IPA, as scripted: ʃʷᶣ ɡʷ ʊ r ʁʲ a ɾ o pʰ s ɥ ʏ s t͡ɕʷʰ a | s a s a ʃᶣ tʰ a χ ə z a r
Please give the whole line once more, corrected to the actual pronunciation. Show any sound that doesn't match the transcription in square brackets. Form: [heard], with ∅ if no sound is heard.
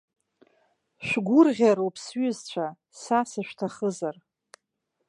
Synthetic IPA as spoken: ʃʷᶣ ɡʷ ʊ r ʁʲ a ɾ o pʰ s ɥ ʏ [z] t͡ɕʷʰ a | s a s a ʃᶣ tʰ a χ ə z a r